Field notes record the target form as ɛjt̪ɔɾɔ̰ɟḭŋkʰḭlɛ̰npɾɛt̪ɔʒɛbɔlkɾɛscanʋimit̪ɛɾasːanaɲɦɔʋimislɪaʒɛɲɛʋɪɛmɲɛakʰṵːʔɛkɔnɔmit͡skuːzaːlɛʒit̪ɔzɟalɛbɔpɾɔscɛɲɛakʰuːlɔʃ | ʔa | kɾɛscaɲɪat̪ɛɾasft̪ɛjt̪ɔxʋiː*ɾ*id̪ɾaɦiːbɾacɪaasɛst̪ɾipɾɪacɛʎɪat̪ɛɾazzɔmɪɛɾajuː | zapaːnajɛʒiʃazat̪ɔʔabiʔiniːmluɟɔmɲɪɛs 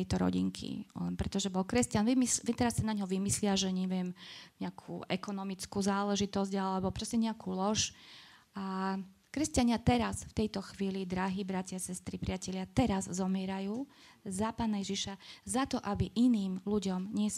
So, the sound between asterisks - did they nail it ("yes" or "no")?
no